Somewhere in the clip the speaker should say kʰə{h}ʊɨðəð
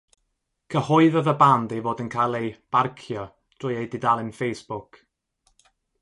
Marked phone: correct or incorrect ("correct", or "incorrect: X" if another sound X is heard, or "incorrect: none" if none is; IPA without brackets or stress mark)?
correct